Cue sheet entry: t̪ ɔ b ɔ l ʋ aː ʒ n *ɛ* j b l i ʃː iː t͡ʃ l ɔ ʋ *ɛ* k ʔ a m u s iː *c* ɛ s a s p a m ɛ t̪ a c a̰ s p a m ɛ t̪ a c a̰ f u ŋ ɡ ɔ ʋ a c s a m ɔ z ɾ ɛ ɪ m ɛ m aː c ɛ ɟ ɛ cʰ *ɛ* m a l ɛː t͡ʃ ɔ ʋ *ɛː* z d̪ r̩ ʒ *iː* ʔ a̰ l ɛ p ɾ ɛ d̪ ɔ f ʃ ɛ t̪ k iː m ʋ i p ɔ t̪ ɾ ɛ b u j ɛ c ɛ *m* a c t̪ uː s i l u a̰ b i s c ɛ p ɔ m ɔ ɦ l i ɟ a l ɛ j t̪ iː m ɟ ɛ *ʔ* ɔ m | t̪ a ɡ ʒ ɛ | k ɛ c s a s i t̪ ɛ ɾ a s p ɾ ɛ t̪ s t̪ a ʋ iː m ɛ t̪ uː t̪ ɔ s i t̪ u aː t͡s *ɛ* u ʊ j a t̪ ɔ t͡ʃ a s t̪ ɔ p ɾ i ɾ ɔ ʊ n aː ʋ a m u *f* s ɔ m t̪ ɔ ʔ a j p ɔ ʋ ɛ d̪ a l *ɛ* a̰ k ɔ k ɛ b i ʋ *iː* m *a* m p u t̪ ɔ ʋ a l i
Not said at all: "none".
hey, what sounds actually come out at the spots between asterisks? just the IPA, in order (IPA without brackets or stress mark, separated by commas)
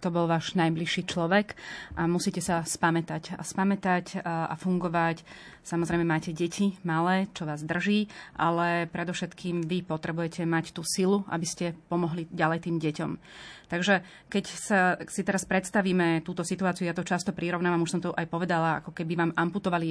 a, ɛ, c, i, aː, iː, m, c, i, ʃ, a, aː, a